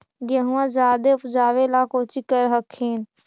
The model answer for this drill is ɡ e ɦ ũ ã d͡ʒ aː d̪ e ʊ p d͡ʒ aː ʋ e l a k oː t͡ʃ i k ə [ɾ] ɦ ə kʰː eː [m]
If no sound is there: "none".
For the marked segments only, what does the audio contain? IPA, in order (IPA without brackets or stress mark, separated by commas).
ɾ, n